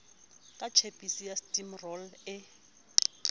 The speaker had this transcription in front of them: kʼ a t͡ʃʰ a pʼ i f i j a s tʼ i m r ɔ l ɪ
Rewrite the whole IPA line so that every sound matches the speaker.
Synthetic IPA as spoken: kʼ a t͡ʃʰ e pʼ i s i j a s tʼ i m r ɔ l ɪ